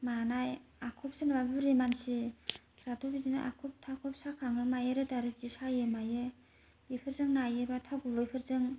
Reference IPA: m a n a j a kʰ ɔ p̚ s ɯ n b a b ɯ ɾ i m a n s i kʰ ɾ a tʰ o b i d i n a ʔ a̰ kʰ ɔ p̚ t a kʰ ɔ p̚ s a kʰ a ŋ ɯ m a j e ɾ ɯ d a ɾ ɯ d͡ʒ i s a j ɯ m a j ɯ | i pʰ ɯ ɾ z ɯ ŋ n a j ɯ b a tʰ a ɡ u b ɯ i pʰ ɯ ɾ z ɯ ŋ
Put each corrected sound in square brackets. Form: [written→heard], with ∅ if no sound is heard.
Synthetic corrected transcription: m a n a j a kʰ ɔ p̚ s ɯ n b a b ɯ ɾ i m a n s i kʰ ɾ a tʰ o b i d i n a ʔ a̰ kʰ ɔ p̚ [t→tʰ] a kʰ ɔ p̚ s a kʰ a ŋ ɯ m a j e ɾ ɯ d a ɾ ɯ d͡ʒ i s a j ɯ m a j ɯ | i pʰ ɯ ɾ z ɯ ŋ n a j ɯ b a tʰ a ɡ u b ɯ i pʰ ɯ ɾ z ɯ ŋ